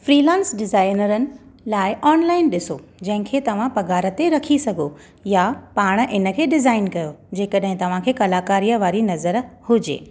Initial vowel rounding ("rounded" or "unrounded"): unrounded